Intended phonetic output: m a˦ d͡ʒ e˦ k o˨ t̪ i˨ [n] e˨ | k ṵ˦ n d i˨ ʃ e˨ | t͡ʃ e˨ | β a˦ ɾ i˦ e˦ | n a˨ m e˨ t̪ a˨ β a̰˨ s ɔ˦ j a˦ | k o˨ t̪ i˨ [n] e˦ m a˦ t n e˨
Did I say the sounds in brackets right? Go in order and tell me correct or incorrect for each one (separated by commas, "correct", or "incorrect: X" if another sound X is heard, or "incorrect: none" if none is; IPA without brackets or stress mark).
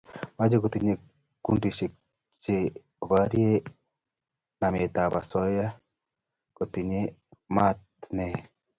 incorrect: ɲ, incorrect: ɲ